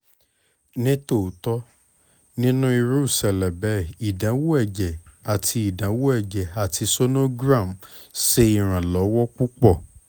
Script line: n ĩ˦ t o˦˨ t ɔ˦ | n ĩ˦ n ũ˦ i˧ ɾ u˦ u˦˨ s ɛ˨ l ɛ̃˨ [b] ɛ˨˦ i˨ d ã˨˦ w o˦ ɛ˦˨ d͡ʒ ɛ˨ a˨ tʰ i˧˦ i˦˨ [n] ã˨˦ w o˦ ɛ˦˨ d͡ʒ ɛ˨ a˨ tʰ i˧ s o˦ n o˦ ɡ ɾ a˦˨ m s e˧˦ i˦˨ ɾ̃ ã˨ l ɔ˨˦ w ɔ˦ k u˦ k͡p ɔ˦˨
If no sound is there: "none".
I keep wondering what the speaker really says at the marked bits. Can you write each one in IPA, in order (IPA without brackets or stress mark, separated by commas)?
b, d